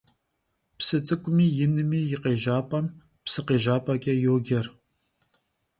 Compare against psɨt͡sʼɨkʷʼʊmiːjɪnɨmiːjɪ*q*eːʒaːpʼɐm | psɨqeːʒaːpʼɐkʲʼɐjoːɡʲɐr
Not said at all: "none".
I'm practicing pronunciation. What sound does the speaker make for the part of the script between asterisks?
q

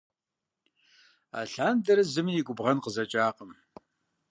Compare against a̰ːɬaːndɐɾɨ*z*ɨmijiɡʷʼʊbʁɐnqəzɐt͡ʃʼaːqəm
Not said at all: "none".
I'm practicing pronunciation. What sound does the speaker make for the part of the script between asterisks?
z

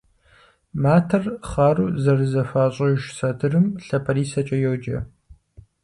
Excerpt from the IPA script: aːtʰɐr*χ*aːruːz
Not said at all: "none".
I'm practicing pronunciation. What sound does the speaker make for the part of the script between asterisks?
χ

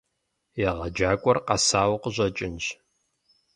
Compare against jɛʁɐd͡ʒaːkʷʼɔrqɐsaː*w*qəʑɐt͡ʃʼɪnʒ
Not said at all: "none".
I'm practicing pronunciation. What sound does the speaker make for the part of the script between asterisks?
w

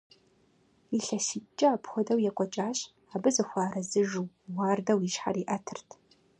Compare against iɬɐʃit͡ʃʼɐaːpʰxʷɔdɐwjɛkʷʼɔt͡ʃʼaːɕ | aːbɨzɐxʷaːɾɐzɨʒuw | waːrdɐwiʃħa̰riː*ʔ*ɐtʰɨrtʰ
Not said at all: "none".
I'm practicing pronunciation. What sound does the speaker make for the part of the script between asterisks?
ʔ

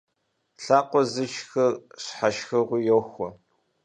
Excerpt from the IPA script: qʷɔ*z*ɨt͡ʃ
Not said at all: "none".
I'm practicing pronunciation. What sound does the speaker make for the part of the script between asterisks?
z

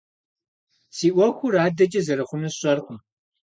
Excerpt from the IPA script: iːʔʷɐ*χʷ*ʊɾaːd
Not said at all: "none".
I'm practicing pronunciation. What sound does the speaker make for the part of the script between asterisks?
xʷ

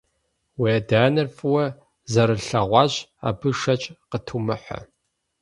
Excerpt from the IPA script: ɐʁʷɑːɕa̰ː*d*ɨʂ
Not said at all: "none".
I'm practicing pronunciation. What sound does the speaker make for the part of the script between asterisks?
b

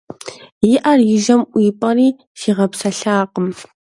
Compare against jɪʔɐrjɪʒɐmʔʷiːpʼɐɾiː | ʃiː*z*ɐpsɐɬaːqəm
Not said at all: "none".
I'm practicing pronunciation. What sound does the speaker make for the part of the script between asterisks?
ʁ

